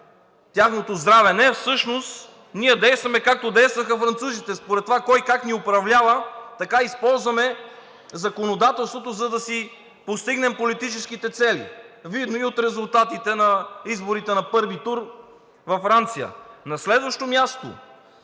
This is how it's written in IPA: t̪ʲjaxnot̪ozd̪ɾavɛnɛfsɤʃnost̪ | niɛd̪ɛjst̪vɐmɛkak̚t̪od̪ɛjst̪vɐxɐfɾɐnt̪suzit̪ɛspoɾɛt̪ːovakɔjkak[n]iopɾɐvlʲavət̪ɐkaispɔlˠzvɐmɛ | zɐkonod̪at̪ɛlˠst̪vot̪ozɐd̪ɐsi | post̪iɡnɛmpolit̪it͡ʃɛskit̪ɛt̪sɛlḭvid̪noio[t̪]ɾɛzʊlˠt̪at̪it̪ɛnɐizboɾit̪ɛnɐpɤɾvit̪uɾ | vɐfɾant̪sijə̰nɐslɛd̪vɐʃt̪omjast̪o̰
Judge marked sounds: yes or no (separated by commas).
yes, yes